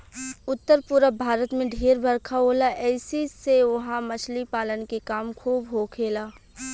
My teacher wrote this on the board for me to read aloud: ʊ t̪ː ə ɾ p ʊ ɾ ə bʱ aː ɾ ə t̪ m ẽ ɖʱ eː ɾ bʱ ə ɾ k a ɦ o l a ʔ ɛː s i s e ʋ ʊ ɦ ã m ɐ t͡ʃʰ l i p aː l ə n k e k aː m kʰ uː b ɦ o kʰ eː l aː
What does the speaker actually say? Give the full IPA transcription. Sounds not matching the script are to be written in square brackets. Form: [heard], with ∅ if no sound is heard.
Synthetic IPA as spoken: ʊ t̪ː ə ɾ p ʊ ɾ ə bʱ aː ɾ ə t̪ m ẽ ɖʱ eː ɾ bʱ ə ɾ [kʰ] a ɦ o l a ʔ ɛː s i s e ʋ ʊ ɦ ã m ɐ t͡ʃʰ l i p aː l ə n k e k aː m kʰ uː b ɦ o kʰ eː l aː